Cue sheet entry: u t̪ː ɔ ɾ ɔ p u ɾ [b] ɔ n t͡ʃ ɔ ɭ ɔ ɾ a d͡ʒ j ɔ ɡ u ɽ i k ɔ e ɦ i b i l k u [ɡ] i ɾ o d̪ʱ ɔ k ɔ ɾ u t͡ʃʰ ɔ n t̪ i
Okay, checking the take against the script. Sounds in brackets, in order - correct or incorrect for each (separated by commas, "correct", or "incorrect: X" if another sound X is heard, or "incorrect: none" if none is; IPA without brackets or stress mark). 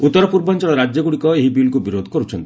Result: correct, incorrect: b